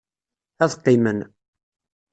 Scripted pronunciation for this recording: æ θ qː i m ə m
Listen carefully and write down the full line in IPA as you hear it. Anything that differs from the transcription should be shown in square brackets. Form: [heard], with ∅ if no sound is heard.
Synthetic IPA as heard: æ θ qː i m ə [n]